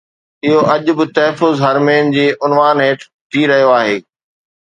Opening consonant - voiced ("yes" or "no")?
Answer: yes